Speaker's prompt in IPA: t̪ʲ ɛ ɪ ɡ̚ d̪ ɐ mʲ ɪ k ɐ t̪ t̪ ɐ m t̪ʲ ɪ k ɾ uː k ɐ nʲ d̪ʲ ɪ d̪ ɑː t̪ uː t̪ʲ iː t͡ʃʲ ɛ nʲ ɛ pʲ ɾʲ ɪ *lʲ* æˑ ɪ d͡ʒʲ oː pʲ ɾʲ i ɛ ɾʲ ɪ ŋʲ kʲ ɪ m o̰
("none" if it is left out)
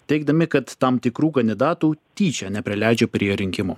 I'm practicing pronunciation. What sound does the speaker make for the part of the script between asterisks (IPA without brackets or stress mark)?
lʲ